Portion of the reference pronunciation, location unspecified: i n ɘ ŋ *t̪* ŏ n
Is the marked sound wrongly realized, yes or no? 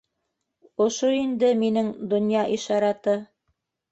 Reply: yes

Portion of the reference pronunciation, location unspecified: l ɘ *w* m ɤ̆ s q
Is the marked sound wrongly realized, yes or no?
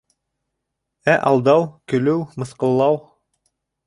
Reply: no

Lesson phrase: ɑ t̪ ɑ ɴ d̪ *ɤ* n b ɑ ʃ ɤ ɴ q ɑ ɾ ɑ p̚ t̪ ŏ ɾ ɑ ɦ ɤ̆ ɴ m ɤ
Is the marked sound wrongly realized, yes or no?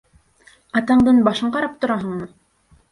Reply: no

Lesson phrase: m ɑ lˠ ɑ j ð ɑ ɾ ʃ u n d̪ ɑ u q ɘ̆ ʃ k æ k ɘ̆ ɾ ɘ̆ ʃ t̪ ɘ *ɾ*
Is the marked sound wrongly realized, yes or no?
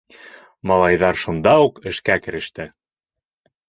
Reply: yes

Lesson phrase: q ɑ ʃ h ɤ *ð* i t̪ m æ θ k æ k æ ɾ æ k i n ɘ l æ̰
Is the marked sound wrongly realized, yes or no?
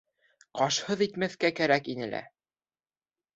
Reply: no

